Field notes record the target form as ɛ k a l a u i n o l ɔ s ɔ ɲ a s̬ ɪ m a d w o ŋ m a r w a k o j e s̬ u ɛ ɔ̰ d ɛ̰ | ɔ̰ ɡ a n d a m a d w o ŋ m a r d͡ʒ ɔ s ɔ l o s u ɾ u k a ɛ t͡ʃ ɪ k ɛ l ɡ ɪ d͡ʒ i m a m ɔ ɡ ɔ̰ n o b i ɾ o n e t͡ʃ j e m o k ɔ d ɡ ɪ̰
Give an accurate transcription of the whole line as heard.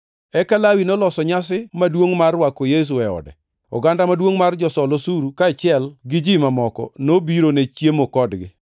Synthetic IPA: ɛ k a l a w i n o l ɔ s ɔ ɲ a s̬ ɪ m a d w o ŋ m a r w a k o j e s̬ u ɛ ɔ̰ d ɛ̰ | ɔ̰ ɡ a n d a m a d w o ŋ m a r d͡ʒ ɔ s ɔ l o s u ɾ u k a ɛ t͡ʃ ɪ ɛ l ɡ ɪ d͡ʒ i m a m ɔ k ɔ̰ n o b i ɾ o n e t͡ʃ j e m o k ɔ d ɡ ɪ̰